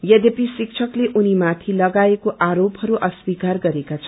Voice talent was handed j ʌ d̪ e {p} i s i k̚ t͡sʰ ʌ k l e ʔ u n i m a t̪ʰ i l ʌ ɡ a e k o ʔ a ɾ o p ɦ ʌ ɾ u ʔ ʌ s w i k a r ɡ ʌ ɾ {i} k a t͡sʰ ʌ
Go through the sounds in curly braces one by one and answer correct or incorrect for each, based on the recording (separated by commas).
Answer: correct, incorrect